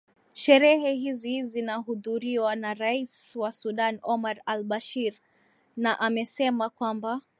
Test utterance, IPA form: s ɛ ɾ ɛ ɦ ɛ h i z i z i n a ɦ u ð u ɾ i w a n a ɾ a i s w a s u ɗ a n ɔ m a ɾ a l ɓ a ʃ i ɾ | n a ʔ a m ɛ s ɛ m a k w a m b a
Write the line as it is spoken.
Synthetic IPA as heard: ʃ ɛ ɾ ɛ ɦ ɛ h i z i z i n a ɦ u ð u ɾ i w a n a ɾ a i s w a s u ɗ a n ɔ m a ɾ a l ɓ a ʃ i ɾ | n a ʔ a m ɛ s ɛ m a k w a m b a